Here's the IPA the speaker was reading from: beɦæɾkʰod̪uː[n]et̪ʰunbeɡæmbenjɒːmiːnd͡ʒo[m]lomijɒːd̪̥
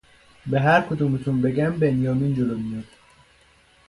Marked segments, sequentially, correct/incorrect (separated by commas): incorrect, incorrect